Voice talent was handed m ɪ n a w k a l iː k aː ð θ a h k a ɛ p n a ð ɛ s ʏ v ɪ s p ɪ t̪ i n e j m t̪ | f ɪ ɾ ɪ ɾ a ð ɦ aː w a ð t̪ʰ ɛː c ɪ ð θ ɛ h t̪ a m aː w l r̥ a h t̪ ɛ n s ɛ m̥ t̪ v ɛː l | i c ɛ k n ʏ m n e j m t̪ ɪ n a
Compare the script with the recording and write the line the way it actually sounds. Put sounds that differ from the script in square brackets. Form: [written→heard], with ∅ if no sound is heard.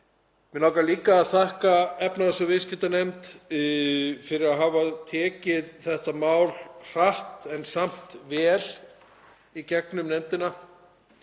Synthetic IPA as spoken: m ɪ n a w k a l iː k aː ð θ a h k a ɛ p n a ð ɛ s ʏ v ɪ s [p→c] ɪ t̪ [i→a] n e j m t̪ | f ɪ ɾ ɪ ɾ a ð ɦ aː [w→v] a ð t̪ʰ ɛː c ɪ ð θ ɛ h t̪ a m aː w l r̥ a h t̪ ɛ n s [ɛ→a] m̥ t̪ v ɛː l | i c ɛ k n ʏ m n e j m t̪ ɪ n a